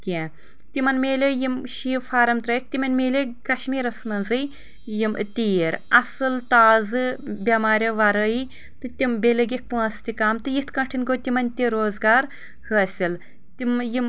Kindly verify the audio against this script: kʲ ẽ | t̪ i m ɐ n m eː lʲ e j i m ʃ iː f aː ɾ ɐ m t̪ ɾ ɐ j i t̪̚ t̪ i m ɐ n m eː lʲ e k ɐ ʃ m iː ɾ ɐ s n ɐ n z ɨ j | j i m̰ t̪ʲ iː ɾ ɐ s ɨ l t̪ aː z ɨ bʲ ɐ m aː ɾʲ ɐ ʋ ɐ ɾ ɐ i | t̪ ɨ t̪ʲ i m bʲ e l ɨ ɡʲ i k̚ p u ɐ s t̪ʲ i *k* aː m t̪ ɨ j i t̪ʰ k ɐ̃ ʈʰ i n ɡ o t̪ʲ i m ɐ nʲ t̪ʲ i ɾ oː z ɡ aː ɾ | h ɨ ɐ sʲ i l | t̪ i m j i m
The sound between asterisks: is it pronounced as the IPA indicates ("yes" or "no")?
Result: yes